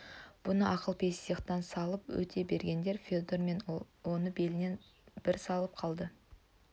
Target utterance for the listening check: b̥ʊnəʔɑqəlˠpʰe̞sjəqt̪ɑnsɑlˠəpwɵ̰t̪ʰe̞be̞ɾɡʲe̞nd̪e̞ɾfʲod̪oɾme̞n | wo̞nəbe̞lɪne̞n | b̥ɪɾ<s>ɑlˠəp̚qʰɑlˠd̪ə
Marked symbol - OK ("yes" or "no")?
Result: yes